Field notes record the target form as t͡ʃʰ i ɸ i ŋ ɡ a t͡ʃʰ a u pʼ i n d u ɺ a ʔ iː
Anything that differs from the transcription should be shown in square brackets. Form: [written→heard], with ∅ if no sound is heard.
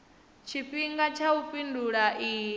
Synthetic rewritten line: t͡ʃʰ i ɸ i ŋ ɡ a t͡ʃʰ a u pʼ i n d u ɺ a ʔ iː